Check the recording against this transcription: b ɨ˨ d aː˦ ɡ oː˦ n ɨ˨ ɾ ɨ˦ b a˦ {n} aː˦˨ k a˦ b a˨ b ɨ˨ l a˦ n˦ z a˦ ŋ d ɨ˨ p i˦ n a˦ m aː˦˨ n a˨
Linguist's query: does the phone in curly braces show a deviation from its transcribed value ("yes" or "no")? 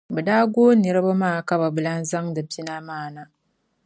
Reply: yes